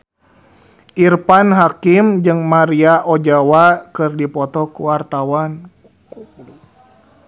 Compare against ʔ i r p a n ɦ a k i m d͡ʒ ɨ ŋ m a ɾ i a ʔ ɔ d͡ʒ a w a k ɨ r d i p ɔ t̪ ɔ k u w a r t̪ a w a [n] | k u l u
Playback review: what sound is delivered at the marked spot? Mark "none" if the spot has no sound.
n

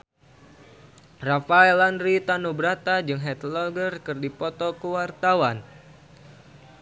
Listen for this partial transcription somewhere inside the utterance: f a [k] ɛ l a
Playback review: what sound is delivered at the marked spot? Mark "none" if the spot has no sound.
none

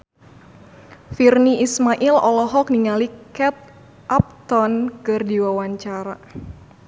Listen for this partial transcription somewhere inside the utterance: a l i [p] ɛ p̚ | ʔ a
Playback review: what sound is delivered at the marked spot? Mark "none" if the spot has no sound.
k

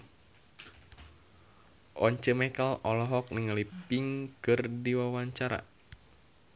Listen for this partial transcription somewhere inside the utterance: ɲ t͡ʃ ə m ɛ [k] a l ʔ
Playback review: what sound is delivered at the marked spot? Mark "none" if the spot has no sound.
k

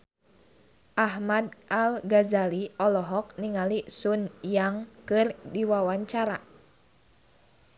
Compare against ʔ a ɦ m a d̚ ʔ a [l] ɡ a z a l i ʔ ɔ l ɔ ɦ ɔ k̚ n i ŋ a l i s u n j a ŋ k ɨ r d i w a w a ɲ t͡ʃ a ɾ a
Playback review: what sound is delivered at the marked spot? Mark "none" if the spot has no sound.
l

